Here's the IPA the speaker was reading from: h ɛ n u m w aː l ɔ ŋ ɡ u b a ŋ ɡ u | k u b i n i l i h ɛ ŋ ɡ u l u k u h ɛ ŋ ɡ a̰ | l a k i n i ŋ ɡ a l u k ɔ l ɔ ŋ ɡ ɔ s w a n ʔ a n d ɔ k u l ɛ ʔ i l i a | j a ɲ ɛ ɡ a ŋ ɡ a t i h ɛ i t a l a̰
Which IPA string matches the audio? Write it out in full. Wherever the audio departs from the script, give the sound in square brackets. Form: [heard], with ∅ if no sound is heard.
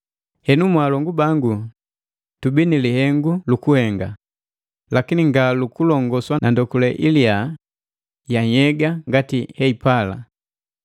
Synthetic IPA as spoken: h ɛ n u m w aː l ɔ ŋ ɡ u b a ŋ ɡ u | [t] u b i n i l i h ɛ ŋ ɡ u l u k u h ɛ ŋ ɡ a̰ | l a k i n i ŋ ɡ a l u k [u] l ɔ ŋ ɡ ɔ s w a n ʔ a n d ɔ k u l ɛ ʔ i l i a | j a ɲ ɛ ɡ a ŋ ɡ a t i h ɛ i [p] a l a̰